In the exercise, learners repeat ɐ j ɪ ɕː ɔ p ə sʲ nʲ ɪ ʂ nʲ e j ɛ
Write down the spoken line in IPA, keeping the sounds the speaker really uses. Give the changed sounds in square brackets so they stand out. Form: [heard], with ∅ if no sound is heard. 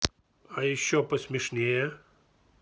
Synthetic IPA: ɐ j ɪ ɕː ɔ p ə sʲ [mʲ] ɪ ʂ nʲ e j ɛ